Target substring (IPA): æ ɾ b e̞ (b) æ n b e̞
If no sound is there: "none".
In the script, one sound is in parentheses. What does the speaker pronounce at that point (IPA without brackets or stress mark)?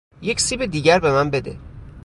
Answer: m